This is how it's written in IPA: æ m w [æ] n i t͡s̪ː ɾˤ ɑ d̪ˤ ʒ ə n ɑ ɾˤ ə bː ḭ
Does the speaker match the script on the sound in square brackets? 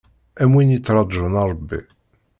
no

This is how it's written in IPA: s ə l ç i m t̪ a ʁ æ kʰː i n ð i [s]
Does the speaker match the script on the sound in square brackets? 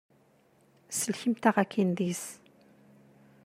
yes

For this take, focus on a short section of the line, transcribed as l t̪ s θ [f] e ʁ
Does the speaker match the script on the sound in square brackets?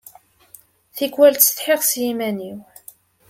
no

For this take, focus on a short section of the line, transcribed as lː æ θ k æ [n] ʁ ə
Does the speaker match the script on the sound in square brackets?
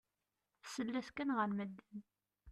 yes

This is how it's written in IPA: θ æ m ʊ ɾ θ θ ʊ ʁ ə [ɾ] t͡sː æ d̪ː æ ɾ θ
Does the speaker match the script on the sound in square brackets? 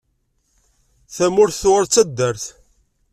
yes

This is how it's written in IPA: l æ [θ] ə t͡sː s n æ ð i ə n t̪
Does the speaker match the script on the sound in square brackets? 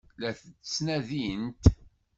yes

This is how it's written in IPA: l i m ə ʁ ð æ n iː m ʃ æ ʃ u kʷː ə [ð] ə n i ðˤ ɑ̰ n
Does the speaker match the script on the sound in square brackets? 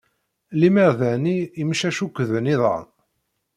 yes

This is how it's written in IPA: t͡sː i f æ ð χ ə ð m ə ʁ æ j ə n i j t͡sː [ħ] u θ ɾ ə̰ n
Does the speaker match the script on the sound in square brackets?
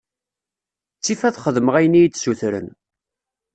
no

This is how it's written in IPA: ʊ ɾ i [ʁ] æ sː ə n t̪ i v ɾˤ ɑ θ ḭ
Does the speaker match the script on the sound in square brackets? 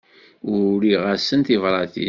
yes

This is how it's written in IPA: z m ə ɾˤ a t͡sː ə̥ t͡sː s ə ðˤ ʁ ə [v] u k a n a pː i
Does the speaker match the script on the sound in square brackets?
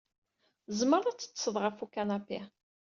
no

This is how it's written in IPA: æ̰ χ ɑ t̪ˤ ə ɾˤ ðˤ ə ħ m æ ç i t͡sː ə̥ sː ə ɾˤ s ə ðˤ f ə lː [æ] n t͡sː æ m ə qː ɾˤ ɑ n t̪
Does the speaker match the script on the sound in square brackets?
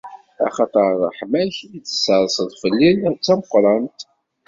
no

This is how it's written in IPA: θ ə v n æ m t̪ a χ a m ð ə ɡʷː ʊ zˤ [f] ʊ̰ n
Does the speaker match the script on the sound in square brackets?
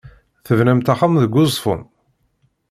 yes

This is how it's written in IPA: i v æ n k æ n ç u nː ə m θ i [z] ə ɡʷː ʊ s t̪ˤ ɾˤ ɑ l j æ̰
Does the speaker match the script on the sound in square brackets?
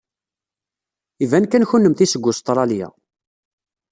no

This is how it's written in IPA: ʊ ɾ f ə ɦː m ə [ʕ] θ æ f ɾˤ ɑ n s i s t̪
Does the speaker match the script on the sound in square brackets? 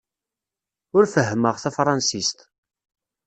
no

